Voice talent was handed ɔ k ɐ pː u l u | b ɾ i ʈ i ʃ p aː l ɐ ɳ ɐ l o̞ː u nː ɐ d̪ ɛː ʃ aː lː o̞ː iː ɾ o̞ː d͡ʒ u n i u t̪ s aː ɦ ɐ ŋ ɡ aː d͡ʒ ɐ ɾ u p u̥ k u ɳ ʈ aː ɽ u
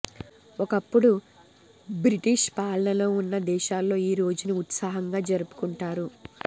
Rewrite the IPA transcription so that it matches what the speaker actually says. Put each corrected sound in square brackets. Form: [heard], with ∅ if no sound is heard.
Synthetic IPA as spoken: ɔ k ɐ pː u [ɽ] u | b ɾ i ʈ i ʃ p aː l ɐ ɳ ɐ l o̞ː u nː ɐ d̪ ɛː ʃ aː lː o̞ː iː ɾ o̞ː d͡ʒ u n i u t̪ s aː ɦ ɐ ŋ ɡ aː d͡ʒ ɐ ɾ u p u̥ k u ɳ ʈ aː [ɾ] u